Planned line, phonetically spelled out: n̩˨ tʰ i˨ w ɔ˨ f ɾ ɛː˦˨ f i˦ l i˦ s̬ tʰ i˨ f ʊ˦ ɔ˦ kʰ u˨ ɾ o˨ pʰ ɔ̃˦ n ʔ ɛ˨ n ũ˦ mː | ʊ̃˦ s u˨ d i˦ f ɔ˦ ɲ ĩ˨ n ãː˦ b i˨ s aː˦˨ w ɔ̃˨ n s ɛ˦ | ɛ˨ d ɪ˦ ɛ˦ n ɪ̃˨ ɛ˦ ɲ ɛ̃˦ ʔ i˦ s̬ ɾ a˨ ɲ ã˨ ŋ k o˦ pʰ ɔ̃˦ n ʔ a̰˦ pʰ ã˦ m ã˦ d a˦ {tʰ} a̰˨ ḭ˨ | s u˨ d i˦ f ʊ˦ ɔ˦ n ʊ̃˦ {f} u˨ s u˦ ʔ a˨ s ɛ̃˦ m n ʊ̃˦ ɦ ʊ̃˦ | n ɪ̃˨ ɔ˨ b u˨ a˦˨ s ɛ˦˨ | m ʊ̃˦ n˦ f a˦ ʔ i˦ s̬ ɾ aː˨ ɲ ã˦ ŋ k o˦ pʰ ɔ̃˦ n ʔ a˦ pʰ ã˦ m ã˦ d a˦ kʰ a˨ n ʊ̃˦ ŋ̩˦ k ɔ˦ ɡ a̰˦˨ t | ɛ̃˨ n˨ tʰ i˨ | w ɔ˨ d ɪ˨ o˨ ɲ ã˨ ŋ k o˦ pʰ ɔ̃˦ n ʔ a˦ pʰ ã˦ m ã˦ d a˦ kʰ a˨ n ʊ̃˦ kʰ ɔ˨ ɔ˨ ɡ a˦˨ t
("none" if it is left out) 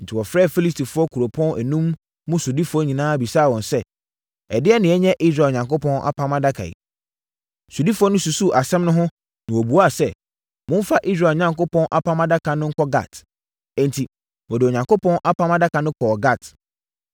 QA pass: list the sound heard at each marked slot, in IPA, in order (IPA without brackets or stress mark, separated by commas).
kʰ, s